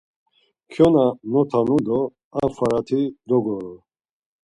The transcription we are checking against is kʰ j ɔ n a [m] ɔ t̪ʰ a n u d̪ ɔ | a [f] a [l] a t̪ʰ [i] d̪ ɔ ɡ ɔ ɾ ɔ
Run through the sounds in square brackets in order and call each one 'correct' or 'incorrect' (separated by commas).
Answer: incorrect, correct, incorrect, correct